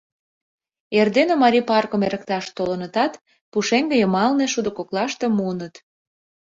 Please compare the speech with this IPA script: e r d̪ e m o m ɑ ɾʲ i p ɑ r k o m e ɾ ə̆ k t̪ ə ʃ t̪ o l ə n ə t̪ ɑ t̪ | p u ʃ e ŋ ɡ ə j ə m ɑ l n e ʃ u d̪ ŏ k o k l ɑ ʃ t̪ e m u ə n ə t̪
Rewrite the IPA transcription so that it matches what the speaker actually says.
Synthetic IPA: e r d̪ e n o m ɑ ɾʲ i p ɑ r k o m e ɾ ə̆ k t̪ ɑ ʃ t̪ o l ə n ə t̪ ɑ t̪ | p u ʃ e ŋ ɡ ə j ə m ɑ l n e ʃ u d̪ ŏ k o k l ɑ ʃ t̪ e m u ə n ə t̪